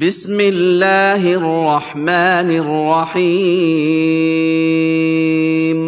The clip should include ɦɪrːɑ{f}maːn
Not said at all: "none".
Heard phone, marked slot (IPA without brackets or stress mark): ħ